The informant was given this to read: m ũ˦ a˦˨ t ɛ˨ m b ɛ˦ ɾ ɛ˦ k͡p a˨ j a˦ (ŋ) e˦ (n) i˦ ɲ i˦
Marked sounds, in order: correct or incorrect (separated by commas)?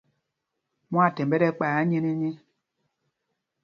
incorrect, correct